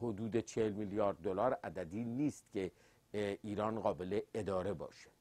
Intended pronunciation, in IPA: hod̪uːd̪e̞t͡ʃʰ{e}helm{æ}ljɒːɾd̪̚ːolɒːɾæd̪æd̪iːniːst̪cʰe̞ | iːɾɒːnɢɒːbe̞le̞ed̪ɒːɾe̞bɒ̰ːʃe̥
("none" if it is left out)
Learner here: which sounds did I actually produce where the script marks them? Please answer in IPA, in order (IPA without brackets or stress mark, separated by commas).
e, i